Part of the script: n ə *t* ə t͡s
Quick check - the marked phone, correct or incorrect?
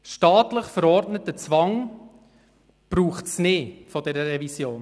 correct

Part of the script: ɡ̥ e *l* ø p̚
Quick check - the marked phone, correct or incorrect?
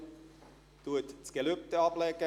correct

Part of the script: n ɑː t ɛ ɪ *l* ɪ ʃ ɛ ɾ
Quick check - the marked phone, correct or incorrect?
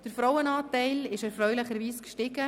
correct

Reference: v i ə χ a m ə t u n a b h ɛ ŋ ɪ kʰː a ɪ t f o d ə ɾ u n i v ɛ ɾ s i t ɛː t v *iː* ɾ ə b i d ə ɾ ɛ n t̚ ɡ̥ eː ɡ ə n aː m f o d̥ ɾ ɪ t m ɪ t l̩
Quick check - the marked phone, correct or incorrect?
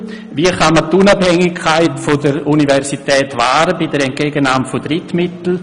incorrect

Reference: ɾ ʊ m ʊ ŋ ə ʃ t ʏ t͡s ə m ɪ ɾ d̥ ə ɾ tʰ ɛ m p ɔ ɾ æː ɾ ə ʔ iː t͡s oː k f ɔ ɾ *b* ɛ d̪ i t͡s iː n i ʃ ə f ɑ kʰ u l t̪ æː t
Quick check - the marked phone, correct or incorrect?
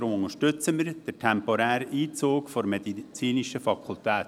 incorrect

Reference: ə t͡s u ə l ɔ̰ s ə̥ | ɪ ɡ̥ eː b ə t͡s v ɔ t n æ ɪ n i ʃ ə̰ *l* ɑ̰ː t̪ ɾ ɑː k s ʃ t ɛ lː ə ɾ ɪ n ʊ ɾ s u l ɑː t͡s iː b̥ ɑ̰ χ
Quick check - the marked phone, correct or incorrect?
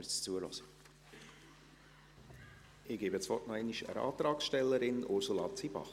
incorrect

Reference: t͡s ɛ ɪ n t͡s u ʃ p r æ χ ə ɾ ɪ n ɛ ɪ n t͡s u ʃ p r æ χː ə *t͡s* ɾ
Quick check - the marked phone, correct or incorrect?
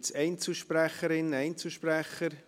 incorrect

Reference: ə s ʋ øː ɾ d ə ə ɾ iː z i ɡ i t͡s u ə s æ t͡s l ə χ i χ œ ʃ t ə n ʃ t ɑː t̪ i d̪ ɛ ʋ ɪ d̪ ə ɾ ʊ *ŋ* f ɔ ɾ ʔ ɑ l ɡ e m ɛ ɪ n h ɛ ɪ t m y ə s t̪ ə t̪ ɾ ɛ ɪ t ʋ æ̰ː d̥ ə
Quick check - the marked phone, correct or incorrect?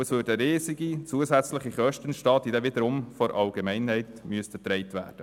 incorrect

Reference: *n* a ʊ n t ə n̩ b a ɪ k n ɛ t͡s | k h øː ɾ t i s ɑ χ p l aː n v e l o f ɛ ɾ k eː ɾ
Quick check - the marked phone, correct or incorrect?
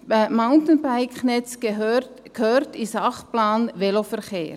incorrect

